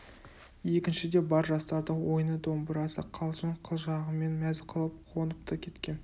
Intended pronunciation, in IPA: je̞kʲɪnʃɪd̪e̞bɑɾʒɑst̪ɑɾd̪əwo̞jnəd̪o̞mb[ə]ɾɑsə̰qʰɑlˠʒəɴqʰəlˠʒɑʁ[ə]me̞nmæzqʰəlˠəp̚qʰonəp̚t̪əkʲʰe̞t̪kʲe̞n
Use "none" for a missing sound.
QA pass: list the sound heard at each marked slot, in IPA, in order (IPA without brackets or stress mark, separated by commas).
ə, ə